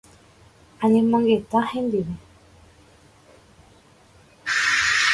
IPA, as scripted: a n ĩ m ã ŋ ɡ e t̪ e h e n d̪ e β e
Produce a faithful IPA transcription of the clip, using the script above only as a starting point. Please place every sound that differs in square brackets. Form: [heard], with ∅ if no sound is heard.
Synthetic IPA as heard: a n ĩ m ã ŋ ɡ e t̪ [a] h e n d̪ [i] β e